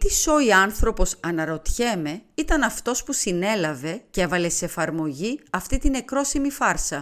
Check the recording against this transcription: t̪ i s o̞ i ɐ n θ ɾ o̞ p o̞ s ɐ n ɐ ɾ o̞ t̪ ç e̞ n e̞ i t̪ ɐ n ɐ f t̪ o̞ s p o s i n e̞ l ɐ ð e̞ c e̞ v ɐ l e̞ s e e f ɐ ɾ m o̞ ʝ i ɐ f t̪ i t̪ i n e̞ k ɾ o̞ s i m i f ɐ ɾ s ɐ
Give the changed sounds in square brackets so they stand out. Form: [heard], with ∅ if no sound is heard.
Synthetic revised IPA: t̪ i s o̞ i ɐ n θ ɾ o̞ p o̞ s ɐ n ɐ ɾ o̞ t̪ ç e̞ [m] e̞ i t̪ ɐ n ɐ f t̪ o̞ s p [u] s i n e̞ l ɐ [v] e̞ c e̞ v ɐ l e̞ s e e f ɐ ɾ m o̞ ʝ i ɐ f t̪ i t̪ i n e̞ k ɾ o̞ s i m i f ɐ ɾ s ɐ